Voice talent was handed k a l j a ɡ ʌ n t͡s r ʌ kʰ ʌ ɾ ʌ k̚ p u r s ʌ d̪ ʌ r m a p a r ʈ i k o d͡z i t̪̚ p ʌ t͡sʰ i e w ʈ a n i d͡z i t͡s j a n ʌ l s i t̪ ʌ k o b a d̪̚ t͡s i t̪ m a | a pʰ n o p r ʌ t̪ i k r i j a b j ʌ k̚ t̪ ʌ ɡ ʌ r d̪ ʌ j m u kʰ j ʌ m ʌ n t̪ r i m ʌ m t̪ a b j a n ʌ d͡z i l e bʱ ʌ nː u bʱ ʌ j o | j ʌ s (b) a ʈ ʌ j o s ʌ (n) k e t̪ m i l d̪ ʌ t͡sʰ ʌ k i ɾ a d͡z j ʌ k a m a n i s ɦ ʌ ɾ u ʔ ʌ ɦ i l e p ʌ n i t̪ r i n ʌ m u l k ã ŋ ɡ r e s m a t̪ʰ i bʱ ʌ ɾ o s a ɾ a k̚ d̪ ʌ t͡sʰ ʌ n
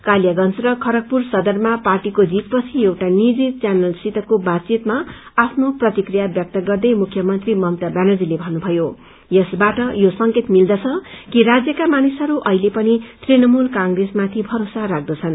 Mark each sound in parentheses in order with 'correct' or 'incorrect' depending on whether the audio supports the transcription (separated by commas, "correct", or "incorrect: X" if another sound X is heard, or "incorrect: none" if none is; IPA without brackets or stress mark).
correct, incorrect: ŋ